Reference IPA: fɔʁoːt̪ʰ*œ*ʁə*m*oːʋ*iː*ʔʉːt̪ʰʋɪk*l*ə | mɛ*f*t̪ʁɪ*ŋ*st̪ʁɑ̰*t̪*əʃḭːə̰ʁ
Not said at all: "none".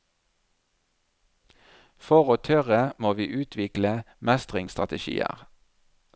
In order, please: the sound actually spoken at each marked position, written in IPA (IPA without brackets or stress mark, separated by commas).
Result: œ, m, iː, l, s, ŋ, t̪